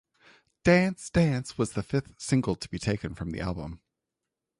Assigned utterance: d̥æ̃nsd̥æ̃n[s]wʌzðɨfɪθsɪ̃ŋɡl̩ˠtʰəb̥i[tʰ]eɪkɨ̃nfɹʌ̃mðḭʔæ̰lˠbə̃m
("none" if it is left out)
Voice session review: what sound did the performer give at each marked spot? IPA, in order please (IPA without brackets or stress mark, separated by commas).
s, tʰ